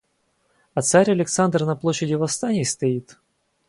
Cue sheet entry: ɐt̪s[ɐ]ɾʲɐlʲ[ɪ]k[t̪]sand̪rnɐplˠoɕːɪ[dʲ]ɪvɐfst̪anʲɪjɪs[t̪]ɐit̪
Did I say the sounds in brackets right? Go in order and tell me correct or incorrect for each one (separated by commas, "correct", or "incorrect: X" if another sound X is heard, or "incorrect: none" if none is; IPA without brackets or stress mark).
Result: incorrect: a, correct, correct, correct, correct